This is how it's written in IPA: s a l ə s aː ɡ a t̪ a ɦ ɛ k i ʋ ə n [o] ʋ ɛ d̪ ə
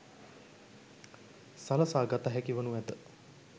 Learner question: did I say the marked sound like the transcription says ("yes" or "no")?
no